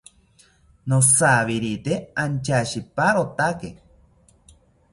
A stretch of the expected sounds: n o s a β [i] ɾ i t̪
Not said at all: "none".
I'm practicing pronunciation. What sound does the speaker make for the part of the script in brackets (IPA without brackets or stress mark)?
i